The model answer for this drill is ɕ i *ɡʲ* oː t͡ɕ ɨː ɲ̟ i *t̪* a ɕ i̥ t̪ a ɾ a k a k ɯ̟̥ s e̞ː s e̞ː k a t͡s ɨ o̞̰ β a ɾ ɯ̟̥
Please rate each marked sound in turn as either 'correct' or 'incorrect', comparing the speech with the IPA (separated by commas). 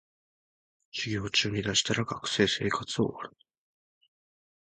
correct, incorrect